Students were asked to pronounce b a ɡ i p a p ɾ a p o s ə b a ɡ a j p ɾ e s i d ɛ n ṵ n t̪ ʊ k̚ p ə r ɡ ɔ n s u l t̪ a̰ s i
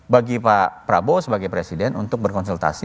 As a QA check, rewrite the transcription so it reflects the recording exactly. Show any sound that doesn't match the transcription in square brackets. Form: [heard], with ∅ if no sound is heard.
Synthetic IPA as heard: b a ɡ i p a p ɾ a [b] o s ə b a ɡ a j p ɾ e s i d ɛ n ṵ n t̪ ʊ k̚ [b] ə r [k] ɔ n s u l t̪ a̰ s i